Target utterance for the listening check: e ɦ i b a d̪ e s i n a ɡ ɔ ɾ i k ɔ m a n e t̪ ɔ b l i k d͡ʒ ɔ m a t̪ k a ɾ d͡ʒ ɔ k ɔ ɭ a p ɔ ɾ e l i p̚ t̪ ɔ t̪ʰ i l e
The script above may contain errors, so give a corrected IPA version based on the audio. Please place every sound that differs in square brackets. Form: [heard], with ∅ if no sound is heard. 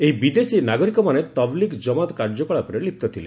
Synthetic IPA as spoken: e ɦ i b [i] d̪ e s i n a ɡ ɔ ɾ i k ɔ m a n e t̪ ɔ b l i k d͡ʒ ɔ m a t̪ k a ɾ d͡ʒ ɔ k ɔ ɭ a p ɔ ɾ e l i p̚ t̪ ɔ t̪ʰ i l e